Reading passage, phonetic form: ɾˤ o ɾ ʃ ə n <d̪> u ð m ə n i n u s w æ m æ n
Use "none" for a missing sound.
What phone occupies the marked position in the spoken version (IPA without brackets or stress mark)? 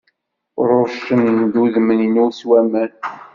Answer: d̪